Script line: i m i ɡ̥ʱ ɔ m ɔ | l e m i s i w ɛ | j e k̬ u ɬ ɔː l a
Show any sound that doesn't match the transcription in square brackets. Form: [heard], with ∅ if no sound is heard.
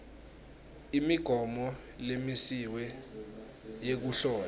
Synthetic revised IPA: i m i ɡ̥ʱ ɔ m ɔ | l e m i s i w ɛ | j e k̬ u ɬ ɔː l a